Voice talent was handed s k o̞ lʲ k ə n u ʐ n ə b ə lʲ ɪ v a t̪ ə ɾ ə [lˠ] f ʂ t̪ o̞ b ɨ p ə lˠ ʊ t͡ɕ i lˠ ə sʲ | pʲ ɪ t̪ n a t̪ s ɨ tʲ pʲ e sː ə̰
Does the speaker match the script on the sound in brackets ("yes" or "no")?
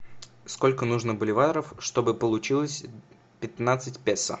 no